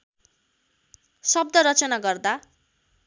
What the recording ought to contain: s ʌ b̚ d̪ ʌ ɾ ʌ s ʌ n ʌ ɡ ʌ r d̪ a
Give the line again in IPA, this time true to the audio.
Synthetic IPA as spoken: s ʌ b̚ d̪ ʌ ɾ ʌ t͡s ʌ n a ɡ ʌ r d̪ a